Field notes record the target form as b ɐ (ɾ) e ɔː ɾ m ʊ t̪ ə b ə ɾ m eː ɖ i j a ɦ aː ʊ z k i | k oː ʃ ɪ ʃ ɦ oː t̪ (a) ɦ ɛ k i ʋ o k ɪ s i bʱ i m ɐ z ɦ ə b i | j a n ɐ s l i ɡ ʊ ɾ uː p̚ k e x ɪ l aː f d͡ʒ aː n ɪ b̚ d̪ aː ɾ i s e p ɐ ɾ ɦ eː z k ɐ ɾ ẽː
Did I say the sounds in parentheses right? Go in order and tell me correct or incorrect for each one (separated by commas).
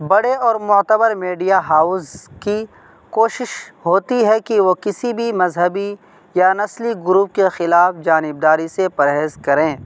incorrect, incorrect